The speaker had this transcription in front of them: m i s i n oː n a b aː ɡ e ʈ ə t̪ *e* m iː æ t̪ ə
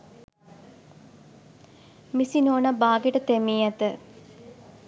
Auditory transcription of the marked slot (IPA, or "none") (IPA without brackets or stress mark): e